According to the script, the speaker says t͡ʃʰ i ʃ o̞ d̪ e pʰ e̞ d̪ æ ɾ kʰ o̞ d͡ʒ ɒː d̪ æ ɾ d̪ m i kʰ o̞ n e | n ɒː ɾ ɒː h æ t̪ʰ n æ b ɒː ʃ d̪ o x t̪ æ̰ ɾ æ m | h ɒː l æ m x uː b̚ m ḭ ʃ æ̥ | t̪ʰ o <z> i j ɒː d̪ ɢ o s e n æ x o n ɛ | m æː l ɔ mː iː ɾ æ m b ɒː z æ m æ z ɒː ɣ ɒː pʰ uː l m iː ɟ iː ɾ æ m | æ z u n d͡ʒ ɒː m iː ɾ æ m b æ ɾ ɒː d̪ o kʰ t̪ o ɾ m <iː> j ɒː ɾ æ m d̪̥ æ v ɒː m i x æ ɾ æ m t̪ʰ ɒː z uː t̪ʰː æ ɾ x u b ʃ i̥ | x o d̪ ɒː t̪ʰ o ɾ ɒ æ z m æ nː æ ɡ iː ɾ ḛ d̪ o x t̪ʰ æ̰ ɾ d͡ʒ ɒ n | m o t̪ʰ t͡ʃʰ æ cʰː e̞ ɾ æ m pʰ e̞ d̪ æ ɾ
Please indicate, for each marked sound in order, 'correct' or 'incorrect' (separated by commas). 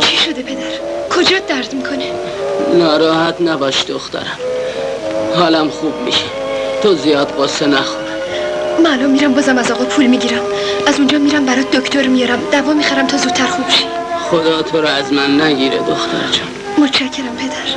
correct, incorrect